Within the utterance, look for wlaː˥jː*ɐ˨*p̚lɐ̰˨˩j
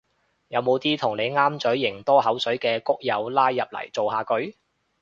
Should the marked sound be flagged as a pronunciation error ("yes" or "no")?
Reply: no